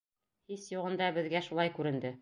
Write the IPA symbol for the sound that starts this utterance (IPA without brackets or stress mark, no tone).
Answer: h